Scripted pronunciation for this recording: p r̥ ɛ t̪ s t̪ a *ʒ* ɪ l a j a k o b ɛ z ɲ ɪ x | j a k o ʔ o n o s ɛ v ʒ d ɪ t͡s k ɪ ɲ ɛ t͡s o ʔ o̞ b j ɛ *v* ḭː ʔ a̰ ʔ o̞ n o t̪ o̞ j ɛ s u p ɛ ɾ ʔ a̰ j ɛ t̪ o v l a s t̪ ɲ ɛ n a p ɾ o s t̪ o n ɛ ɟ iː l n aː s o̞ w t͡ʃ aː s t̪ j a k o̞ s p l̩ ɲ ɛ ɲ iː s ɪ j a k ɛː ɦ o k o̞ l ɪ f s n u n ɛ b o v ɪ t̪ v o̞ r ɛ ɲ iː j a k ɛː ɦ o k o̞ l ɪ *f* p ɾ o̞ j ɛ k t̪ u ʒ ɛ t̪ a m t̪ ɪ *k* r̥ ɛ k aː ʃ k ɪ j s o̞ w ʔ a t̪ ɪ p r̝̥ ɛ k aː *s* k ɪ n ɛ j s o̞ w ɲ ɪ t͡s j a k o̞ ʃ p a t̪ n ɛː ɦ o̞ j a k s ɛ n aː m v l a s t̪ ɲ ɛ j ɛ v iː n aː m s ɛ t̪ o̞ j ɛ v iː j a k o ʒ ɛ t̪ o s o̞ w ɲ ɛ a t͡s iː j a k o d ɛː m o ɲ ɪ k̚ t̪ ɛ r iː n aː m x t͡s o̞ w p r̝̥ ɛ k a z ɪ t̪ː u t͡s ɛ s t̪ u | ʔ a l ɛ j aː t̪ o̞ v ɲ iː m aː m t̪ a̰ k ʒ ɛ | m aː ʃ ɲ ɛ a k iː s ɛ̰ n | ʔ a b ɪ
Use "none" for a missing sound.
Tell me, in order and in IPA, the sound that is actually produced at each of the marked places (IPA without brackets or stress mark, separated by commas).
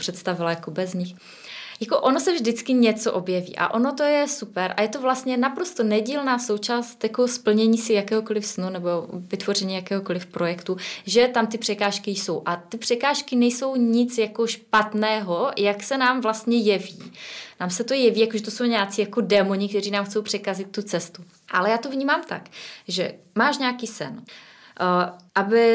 v, v, f, p, ʃ